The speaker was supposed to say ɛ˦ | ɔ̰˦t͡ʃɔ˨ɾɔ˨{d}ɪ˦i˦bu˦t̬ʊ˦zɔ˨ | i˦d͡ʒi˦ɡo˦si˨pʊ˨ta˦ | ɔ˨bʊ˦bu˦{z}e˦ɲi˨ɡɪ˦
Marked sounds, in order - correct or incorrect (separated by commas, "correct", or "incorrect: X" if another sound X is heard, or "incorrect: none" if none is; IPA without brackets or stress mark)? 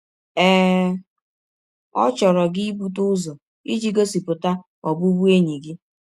incorrect: ɡ, incorrect: none